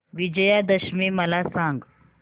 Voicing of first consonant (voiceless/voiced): voiced